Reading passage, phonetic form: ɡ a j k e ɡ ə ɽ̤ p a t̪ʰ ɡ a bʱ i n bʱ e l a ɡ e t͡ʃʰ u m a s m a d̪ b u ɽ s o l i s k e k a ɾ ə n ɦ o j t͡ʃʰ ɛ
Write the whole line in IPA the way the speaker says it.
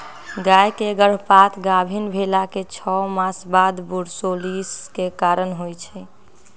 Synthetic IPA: ɡ a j k e ɡ ə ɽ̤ p a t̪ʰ ɡ a bʱ i n bʱ e l a k e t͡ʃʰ ɔ m a s b a d̪ b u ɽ s o l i s k e k a ɾ ə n ɦ o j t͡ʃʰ ɛ